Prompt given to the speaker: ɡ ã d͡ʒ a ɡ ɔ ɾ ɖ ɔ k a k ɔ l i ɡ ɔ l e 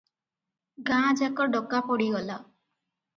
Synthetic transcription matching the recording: ɡ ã d͡ʒ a k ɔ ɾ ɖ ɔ k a p ɔ ɽ i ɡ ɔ l a